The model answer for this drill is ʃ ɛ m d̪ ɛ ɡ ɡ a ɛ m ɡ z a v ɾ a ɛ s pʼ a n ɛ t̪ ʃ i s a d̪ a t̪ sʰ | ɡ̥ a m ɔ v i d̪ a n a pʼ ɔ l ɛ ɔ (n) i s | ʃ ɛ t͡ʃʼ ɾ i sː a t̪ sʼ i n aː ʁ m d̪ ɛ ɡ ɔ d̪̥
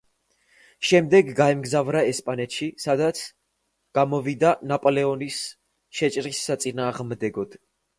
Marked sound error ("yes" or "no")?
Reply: no